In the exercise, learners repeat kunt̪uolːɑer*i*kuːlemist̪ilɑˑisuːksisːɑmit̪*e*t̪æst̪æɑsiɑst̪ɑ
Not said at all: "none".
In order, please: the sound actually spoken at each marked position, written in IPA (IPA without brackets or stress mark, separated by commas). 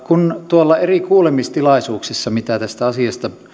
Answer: i, æ